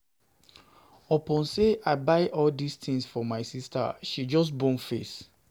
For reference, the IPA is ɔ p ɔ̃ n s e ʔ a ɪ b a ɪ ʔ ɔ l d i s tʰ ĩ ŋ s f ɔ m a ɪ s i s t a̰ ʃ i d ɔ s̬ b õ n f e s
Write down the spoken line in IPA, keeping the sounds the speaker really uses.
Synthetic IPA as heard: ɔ p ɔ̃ n s e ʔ a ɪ b a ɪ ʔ ɔ l d i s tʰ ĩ ŋ s f ɔ m a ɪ s i s t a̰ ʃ i d͡ʒ ɔ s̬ b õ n f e s